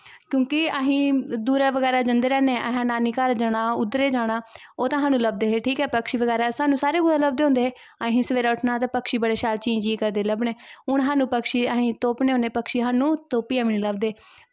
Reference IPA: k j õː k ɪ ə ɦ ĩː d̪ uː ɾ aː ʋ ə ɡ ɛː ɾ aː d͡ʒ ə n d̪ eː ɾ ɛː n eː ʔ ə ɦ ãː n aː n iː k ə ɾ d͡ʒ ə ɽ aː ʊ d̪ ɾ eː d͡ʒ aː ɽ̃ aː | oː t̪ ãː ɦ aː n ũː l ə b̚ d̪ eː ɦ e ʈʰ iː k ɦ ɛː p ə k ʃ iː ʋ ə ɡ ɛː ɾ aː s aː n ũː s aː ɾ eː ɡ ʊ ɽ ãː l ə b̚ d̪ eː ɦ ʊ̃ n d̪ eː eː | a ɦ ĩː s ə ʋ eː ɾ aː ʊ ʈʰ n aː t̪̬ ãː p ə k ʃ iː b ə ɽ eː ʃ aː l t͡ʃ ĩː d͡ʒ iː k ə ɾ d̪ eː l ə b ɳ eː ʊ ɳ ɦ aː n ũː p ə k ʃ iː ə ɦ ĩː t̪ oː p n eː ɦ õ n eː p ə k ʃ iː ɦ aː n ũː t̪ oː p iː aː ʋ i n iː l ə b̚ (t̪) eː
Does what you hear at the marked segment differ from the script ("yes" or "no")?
yes